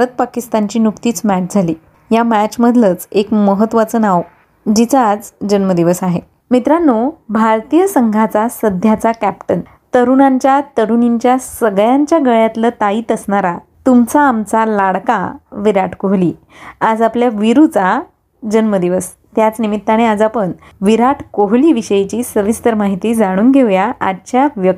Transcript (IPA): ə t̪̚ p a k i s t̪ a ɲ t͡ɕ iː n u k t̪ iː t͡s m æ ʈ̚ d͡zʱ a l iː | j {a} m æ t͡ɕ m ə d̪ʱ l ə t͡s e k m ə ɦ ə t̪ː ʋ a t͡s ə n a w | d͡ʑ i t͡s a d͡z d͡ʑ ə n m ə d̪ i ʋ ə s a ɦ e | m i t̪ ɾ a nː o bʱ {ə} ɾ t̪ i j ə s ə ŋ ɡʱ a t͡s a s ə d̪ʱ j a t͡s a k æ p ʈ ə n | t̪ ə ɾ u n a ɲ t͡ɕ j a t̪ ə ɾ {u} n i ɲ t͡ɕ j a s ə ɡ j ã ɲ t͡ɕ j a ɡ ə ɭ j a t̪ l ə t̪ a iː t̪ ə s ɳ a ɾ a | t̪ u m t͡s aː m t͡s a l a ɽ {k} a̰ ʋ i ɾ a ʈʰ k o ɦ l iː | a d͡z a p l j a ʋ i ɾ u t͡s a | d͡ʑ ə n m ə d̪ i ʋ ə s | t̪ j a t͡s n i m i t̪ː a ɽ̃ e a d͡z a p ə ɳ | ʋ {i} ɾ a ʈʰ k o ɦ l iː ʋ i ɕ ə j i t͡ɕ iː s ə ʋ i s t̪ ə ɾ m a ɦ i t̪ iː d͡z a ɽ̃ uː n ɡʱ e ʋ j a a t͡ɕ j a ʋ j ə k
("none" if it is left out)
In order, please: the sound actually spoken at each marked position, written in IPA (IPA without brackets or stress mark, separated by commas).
a, a, u, k, i